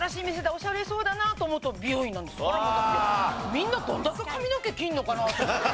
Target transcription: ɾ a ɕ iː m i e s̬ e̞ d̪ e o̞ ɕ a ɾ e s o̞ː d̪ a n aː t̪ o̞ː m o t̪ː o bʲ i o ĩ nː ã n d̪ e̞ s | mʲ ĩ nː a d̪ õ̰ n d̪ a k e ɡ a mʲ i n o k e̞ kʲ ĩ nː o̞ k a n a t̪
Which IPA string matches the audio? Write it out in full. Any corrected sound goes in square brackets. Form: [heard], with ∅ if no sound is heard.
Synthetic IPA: ɾ a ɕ iː m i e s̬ e̞ d̪ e o̞ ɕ a ɾ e s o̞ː d̪ a n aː t̪ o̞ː m o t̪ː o bʲ i o ĩ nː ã n d̪ e̞ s | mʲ ĩ nː a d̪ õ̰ n d̪ a k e [k] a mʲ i n o k e̞ kʲ ĩ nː o̞ k a n a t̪